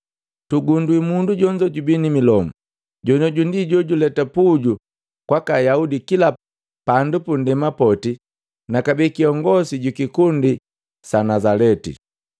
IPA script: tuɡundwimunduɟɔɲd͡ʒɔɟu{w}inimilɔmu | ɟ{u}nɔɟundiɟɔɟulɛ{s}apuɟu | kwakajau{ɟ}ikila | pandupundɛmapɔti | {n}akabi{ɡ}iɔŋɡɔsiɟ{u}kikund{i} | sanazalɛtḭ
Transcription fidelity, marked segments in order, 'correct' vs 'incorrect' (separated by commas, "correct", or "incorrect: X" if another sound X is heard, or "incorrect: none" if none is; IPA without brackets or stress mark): incorrect: b, incorrect: ɔ, incorrect: t, incorrect: d, correct, incorrect: k, correct, correct